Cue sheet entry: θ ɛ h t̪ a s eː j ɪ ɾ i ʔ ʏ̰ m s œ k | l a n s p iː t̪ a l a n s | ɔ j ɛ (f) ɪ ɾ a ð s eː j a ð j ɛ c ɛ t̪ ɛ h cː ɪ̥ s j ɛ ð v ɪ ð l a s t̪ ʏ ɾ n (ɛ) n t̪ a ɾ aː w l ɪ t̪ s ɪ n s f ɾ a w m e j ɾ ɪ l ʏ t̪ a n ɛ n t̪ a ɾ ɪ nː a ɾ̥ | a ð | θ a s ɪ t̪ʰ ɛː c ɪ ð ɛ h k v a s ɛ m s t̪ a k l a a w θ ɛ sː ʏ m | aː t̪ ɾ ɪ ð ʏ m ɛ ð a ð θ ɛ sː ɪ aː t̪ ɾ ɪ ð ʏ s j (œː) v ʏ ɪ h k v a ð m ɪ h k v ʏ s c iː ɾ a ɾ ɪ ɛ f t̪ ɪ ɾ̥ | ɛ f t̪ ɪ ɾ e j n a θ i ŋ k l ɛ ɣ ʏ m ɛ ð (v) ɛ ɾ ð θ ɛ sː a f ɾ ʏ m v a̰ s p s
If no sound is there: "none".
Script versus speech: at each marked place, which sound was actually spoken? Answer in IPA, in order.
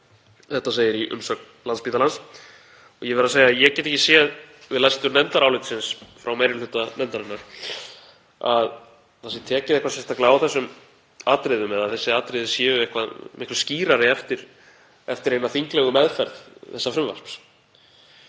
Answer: v, ɛ, ɛː, f

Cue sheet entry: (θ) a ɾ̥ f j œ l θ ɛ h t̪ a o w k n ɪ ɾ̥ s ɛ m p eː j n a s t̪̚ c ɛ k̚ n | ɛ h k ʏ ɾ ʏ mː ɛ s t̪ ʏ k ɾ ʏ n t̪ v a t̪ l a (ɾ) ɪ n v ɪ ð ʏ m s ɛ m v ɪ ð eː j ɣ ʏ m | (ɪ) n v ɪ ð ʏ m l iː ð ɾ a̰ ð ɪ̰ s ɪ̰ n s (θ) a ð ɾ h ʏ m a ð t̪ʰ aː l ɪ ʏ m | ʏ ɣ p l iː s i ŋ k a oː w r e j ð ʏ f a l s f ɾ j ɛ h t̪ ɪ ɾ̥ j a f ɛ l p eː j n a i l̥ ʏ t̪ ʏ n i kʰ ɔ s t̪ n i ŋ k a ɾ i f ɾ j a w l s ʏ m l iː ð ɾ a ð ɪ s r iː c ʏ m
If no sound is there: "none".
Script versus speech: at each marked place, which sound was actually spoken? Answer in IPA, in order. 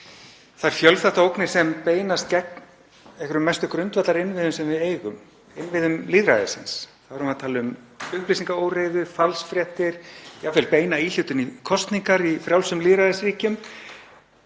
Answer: θ, ɾ, ɪ, θ

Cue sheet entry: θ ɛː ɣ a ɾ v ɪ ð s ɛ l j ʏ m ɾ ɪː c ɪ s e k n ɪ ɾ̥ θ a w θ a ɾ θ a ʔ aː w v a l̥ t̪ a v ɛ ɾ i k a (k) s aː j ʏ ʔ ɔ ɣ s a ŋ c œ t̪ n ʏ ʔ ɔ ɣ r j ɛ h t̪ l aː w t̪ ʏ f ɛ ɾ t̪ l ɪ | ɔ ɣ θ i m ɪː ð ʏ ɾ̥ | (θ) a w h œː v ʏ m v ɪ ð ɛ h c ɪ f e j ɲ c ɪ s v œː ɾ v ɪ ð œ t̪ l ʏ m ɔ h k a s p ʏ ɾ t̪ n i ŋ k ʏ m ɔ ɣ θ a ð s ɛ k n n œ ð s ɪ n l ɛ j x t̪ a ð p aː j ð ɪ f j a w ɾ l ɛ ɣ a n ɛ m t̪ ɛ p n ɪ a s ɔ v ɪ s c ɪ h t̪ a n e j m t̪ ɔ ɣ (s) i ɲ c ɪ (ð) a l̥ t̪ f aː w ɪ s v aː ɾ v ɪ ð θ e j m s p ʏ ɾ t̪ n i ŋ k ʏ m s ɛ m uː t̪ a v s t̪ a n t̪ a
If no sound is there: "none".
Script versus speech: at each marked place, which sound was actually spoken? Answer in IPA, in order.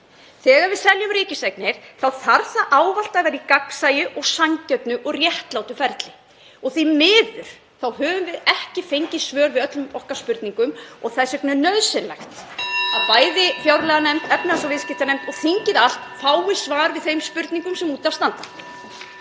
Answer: k, θ, θ, ð

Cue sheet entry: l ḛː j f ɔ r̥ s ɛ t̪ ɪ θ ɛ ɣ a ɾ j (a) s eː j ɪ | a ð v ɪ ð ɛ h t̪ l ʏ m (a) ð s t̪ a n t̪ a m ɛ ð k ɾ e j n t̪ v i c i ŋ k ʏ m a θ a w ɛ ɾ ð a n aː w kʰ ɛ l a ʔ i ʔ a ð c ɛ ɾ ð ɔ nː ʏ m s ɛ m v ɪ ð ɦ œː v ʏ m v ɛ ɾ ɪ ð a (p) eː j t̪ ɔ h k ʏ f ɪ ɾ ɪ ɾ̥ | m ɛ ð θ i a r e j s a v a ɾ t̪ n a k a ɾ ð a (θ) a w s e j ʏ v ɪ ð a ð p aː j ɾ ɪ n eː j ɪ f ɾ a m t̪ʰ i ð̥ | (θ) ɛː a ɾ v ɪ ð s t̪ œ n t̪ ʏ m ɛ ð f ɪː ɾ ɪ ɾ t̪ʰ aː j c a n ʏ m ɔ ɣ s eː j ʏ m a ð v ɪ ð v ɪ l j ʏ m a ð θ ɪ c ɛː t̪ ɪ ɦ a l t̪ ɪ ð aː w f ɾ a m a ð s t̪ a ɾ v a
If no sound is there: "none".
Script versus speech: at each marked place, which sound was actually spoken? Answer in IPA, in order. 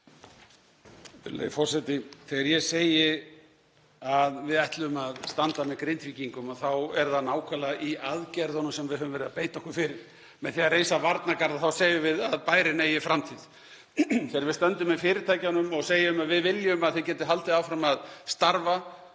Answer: ɛ, a, p, θ, θ

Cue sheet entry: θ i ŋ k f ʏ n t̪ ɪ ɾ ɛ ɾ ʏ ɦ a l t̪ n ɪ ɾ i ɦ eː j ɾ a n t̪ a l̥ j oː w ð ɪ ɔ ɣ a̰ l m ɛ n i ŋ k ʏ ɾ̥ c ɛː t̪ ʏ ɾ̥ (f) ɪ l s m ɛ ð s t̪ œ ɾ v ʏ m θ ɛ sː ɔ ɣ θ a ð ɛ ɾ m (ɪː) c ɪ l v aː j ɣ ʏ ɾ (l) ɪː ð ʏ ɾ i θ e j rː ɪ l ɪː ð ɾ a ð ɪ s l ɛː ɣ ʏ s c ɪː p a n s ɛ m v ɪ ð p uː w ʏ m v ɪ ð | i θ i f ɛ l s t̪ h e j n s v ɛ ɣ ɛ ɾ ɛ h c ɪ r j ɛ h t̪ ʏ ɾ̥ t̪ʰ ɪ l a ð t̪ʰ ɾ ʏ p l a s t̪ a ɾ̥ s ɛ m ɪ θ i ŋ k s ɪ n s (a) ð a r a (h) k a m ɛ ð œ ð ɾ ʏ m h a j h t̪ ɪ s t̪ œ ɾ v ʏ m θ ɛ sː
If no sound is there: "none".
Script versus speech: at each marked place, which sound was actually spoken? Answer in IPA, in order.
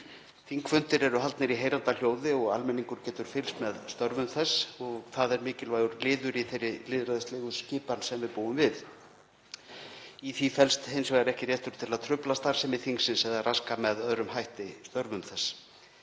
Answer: f, ɪː, l, ɛ, s

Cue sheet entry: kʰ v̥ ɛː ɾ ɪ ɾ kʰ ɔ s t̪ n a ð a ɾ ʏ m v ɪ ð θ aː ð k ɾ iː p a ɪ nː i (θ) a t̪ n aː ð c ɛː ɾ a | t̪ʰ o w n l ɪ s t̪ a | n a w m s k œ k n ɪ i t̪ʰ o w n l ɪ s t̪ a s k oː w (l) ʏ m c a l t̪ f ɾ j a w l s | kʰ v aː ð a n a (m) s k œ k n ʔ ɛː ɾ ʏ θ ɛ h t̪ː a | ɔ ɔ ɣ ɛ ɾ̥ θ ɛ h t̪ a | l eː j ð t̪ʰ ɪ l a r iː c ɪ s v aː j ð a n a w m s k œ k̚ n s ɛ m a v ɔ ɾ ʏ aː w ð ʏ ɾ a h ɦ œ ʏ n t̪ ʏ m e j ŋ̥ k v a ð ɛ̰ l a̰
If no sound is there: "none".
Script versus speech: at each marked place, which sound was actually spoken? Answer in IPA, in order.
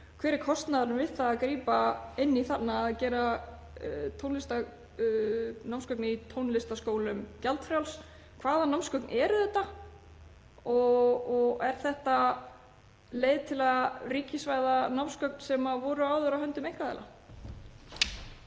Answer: θ, l, m

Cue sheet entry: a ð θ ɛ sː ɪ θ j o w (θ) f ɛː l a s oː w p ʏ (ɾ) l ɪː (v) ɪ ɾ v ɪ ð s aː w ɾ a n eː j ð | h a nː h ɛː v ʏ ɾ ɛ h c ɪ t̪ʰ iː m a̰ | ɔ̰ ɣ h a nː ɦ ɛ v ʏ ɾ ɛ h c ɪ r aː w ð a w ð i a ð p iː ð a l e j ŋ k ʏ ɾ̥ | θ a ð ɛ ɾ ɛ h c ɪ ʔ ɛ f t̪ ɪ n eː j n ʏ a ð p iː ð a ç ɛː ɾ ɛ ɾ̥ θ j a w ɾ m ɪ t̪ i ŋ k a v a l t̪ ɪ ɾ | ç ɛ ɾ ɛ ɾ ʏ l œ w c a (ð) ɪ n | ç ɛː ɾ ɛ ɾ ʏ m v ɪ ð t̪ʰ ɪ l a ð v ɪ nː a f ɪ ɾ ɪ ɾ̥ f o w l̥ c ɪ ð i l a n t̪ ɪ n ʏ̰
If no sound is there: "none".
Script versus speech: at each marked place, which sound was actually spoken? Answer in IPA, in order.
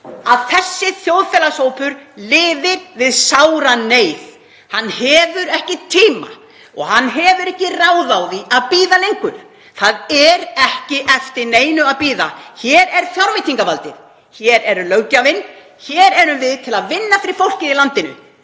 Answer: ð, ɾ, ð, v

